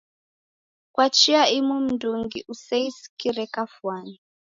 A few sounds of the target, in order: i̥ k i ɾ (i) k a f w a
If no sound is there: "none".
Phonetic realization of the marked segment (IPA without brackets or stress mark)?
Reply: ɛ